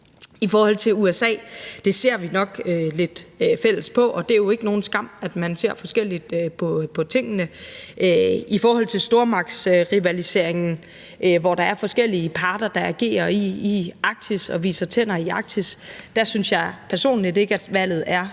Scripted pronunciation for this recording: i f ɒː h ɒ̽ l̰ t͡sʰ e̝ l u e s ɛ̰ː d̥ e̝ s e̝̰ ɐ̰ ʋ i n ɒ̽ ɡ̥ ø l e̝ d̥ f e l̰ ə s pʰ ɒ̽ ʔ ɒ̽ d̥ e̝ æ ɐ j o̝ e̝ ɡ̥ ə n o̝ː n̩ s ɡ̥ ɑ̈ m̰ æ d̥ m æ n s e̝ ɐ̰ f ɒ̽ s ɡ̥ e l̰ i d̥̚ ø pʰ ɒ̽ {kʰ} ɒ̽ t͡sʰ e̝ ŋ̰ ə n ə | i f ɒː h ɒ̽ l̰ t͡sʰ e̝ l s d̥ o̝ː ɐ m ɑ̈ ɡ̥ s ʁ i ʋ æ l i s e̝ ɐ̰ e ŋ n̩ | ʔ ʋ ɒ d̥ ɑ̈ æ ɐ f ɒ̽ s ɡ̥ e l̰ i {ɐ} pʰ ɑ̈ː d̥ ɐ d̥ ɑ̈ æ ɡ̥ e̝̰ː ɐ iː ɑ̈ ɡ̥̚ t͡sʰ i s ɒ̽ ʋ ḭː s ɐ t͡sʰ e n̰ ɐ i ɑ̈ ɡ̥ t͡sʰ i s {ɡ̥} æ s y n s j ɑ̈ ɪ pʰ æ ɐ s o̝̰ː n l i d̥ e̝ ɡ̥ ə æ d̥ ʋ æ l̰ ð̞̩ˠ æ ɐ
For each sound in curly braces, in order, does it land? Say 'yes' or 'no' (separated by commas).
no, no, no